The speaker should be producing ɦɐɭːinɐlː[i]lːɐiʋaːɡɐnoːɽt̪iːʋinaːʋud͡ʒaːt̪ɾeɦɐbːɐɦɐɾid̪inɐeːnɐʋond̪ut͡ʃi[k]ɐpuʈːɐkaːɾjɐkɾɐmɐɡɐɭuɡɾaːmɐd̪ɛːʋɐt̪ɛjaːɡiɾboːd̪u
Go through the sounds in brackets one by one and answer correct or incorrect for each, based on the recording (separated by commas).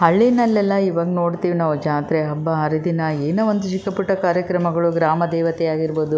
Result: incorrect, correct